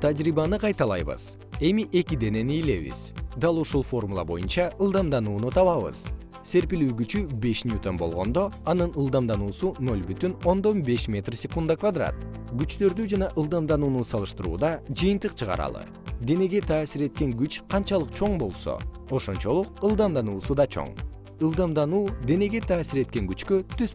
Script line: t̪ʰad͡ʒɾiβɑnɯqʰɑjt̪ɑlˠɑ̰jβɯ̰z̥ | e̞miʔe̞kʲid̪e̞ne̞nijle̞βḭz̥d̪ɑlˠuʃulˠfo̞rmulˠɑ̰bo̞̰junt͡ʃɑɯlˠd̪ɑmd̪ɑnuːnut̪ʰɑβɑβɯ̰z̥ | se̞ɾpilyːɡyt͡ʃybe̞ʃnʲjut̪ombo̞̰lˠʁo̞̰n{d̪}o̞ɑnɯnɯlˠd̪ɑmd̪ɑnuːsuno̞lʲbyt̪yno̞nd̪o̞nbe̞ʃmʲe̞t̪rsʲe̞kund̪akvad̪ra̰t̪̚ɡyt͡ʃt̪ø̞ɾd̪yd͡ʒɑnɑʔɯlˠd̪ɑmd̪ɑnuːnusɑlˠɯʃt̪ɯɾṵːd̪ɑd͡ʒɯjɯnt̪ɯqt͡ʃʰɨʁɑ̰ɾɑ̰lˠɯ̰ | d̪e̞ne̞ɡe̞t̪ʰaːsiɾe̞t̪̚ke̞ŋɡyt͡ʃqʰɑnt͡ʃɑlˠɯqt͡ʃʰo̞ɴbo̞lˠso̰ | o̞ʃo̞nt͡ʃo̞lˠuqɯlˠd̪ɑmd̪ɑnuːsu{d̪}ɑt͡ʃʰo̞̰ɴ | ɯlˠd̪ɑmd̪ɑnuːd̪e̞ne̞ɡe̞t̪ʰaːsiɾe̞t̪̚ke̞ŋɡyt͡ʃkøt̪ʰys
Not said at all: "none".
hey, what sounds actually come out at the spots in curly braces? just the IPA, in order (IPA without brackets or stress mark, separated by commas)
d̪, d̪